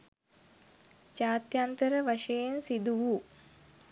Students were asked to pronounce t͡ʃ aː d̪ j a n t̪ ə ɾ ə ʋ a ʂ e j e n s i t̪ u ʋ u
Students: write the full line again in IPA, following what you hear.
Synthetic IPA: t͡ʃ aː t̪ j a n t̪ ə ɾ ə ʋ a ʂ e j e n s i d̪ u ʋ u